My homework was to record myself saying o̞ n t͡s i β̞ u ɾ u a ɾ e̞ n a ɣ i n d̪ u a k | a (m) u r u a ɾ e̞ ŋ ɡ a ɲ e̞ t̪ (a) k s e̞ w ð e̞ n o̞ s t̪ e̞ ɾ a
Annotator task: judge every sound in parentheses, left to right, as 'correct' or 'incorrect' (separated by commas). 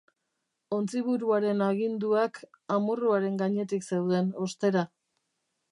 correct, incorrect